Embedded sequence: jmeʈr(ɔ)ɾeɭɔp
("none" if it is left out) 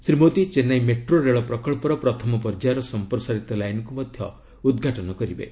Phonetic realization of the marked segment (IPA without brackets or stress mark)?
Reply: o